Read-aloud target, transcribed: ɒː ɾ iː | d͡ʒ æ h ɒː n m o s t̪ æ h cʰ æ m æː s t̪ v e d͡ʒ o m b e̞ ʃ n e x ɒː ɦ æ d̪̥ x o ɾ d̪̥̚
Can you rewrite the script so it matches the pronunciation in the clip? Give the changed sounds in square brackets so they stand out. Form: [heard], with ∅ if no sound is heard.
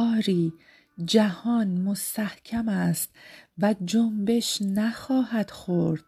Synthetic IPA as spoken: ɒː ɾ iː | d͡ʒ æ h ɒː n m o s t̪ æ h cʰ æ m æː s t̪ v [æ] d͡ʒ o m b e̞ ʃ n [æ] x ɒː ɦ æ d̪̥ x o ɾ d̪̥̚